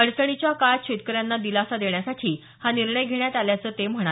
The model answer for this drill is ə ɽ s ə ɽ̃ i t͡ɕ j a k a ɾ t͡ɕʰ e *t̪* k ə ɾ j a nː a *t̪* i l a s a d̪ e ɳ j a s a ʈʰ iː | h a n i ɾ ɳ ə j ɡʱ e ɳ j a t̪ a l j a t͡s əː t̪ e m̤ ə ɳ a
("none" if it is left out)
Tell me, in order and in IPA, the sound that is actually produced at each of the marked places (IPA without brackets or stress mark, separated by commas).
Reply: t̪, d̪